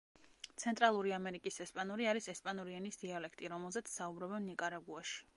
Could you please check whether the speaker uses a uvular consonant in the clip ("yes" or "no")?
no